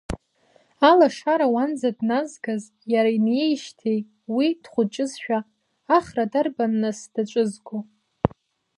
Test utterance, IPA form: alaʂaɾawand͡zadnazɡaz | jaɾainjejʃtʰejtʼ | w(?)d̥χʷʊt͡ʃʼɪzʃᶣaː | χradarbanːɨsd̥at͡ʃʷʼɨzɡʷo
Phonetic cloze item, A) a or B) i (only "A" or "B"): B